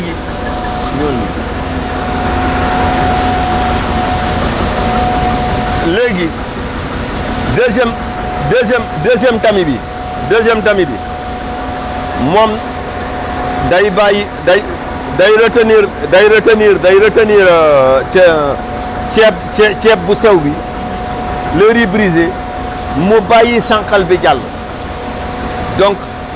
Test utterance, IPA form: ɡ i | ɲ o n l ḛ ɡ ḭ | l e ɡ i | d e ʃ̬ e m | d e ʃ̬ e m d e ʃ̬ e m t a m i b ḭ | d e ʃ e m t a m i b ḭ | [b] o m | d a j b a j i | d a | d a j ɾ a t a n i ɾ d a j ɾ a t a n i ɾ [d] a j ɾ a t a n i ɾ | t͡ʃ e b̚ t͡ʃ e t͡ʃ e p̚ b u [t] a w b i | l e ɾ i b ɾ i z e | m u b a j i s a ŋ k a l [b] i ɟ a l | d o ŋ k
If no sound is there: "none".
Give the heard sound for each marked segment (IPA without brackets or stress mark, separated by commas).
m, d, s, b